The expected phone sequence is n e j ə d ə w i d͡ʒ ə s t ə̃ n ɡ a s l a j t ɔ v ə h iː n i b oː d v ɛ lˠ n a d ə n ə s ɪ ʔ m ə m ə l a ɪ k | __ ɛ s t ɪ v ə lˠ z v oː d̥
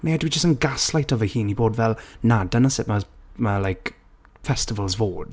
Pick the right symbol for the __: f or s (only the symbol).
f